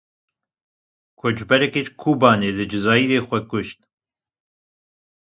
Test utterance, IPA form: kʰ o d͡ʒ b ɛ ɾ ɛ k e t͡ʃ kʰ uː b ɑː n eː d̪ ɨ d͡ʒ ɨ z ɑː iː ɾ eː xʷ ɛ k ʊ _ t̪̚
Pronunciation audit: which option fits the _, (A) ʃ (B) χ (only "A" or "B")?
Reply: A